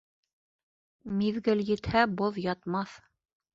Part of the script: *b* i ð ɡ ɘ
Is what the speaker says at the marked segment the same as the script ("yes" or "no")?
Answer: no